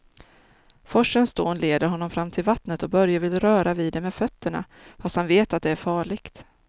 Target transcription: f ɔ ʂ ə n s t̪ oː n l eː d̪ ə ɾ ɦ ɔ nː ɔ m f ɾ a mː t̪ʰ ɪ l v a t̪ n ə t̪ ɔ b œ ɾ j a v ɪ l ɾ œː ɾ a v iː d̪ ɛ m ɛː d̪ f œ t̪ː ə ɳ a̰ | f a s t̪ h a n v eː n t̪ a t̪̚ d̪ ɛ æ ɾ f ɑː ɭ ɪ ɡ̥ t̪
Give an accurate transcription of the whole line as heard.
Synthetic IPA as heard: f ɔ ʂ ə n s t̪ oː n l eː d̪ ə ɾ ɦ ɔ nː ɔ m f ɾ a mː t̪ʰ ɪ l v a t̪ n ə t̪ ɔ b œ ɾ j a v ɪ l ɾ œː ɾ a v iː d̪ ɛ m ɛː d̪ f œ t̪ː ə ɳ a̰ | f a s t̪ h a n v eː t̪ a t̪̚ d̪ ɛ æ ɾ f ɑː ɭ ɪ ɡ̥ t̪